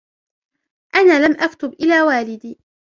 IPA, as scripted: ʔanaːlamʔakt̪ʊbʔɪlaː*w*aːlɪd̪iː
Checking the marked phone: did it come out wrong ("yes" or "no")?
no